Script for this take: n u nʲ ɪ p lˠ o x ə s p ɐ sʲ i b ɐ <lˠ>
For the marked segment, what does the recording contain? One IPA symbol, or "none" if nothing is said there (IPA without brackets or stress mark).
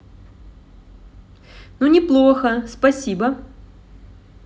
none